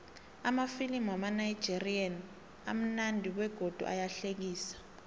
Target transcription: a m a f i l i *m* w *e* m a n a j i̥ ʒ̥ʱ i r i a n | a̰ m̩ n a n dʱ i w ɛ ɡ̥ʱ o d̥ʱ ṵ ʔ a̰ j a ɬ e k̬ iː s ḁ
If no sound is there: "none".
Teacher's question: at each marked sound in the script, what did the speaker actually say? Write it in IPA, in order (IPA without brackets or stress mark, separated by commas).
m, a